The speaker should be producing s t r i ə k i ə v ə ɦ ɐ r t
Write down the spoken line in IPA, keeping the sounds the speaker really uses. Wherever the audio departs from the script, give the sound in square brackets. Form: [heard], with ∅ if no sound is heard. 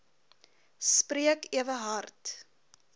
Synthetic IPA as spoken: s [p] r i ə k i ə v ə ɦ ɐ r t

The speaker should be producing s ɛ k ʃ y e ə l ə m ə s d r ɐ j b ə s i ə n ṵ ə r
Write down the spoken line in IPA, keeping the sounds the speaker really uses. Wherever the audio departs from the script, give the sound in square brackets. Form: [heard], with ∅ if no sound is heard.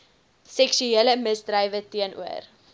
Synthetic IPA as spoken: s ɛ k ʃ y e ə l ə m ə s d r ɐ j [v] ə [t] i ə n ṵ ə r

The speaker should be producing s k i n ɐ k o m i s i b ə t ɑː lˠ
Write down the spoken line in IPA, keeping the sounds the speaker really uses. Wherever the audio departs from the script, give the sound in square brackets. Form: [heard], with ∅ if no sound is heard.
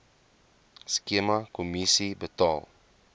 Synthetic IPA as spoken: s k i [m] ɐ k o m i s i b ə t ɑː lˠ

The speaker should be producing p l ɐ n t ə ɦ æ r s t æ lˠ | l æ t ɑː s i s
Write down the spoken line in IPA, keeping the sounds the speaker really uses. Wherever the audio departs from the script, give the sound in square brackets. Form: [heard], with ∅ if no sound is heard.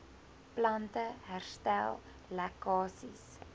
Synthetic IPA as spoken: p l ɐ n t ə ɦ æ r s t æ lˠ | l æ [k] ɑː s i s

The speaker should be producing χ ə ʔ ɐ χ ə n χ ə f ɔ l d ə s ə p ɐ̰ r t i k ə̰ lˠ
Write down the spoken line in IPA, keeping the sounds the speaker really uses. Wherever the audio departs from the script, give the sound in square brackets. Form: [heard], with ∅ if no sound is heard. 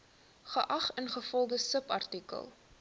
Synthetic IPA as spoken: χ ə ʔ ɐ χ ə n χ ə f ɔ l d ə s ə p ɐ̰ r t i k ə̰ lˠ

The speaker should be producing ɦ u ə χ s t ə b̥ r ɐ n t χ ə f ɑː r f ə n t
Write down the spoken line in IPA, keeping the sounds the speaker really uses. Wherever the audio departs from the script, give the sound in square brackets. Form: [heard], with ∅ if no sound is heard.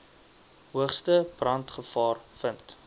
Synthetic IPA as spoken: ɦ u ə χ s t ə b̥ r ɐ n t χ ə f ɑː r f ə n t

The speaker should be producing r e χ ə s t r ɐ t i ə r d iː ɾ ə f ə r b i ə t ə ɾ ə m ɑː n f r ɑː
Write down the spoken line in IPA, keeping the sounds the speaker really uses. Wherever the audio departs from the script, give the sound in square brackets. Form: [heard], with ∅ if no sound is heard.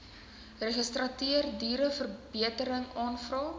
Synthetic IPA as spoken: r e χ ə s t r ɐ t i ə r d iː ɾ ə f ə r b i ə t ə ɾ ə [ŋ] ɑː n f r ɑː

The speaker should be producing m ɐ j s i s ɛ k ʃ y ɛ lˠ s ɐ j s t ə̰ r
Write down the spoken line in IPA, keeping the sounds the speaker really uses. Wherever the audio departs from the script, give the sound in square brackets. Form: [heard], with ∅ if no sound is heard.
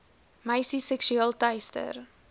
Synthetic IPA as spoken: m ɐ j s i s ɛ k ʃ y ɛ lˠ [t] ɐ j s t ə̰ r

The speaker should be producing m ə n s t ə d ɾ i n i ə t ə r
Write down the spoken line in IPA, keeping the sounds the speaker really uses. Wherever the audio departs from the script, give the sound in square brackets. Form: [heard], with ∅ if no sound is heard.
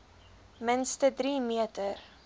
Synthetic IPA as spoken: m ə n s t ə d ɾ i [m] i ə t ə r

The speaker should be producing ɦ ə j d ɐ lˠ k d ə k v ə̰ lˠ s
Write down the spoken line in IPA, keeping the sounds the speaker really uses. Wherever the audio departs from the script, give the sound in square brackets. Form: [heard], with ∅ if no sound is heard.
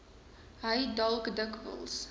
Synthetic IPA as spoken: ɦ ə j d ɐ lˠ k d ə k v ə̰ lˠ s

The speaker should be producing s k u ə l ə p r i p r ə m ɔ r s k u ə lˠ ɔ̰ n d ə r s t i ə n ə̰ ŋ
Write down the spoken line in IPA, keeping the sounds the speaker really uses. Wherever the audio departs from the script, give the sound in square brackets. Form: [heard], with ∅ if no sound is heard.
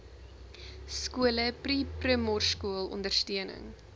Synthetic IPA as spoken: s k u ə l ə p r i p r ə m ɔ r s k u ə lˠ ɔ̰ n d ə r s t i ə n ə̰ ŋ

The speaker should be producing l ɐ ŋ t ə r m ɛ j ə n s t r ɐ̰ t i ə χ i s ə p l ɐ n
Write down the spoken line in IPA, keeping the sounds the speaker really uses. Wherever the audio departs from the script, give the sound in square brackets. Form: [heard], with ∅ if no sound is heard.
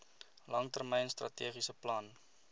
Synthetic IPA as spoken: l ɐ ŋ t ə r m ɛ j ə n s t r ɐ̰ t i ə χ i s ə p l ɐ n

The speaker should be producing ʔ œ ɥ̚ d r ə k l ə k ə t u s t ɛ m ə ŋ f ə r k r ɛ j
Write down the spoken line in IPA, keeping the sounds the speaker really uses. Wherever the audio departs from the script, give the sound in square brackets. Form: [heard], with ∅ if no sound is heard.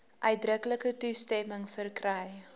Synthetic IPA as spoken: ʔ œ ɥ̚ d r ə k l ə k ə t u s t ɛ m ə ŋ f ə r k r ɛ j

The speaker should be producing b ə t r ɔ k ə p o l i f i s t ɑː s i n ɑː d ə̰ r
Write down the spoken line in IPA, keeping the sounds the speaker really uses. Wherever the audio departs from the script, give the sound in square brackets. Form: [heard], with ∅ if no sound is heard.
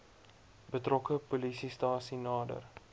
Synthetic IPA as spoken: b ə t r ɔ k ə p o l i [s] i s t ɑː s i n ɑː d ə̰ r

